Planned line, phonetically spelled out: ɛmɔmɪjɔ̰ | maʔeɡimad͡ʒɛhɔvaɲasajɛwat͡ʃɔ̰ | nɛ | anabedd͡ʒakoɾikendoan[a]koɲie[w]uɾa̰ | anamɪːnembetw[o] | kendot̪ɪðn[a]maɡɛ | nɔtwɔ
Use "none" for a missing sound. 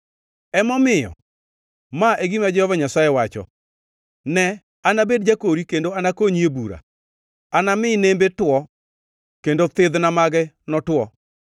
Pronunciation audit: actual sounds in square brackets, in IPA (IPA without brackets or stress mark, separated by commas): a, b, ɔ, a